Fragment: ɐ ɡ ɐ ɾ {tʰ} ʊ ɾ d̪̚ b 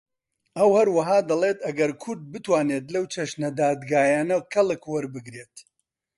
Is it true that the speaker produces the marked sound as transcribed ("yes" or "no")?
no